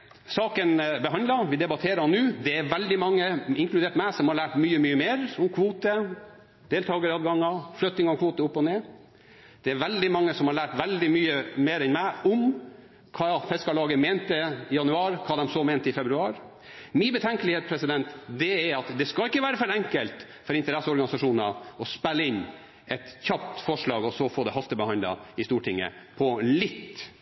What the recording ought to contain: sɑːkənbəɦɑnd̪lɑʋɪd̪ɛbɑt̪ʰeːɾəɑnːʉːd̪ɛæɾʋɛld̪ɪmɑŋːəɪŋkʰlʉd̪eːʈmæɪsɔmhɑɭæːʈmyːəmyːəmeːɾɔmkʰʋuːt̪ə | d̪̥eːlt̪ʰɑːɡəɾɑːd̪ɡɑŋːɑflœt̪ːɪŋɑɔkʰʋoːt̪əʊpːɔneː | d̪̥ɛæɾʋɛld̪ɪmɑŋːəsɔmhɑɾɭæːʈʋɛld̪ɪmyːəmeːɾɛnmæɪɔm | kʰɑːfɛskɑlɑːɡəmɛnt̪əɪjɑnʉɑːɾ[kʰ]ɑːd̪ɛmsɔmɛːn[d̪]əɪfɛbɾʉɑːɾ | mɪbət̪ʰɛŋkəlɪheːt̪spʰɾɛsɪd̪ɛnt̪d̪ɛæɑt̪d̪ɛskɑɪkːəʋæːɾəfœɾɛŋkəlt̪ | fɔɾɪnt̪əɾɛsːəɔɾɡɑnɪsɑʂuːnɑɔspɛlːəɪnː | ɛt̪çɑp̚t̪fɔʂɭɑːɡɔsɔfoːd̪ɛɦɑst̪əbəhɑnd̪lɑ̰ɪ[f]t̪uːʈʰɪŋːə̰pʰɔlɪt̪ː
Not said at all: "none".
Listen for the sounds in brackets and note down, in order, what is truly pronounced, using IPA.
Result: kʰ, t̪, s

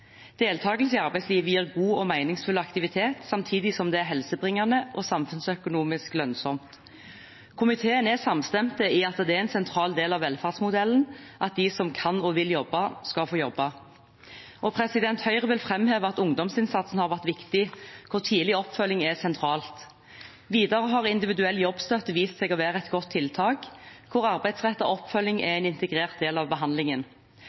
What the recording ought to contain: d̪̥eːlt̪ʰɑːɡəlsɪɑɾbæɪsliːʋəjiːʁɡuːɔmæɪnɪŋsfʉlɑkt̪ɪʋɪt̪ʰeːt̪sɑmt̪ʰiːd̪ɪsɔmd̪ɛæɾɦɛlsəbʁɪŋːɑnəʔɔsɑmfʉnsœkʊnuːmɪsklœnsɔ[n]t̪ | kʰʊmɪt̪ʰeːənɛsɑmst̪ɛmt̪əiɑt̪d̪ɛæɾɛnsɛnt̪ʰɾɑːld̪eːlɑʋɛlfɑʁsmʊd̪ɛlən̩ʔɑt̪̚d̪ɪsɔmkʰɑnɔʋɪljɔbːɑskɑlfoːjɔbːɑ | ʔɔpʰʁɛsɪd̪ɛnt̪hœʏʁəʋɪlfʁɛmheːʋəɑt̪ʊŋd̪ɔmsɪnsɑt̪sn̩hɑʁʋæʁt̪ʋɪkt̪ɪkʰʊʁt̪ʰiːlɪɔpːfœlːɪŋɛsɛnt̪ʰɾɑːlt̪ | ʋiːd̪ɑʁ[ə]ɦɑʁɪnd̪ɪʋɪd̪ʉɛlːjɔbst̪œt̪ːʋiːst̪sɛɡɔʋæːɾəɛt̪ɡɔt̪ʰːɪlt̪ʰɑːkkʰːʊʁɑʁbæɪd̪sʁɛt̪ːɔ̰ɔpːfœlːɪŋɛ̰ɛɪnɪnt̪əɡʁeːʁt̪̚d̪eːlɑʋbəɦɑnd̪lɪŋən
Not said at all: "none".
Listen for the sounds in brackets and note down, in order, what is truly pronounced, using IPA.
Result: m, ə

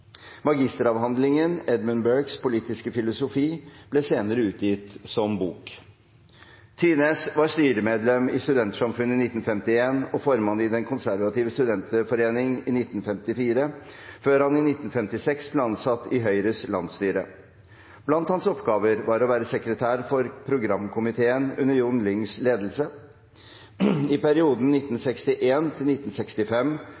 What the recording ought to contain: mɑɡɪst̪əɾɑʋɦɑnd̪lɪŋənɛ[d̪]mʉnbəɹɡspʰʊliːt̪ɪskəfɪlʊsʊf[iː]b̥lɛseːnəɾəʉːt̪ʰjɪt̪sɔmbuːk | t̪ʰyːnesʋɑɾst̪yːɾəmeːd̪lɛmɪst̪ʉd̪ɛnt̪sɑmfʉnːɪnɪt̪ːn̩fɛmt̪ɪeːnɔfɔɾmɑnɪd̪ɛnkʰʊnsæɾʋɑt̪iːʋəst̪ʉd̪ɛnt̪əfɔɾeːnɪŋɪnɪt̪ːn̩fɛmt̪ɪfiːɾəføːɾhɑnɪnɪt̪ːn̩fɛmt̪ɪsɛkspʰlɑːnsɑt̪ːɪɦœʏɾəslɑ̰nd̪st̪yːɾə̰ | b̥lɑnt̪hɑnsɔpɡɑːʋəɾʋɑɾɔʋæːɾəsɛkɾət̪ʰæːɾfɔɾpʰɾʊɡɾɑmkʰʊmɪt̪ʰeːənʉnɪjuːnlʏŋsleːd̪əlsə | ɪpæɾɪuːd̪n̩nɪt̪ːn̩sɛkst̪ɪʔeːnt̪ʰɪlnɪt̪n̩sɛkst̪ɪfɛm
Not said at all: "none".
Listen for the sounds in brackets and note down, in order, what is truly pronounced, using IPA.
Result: d̪, iː

